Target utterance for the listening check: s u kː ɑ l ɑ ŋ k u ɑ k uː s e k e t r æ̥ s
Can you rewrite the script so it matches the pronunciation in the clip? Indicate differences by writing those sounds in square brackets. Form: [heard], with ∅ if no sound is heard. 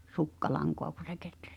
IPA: s u kː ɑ l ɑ ŋ k [o] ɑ k [u] s e k e t r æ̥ s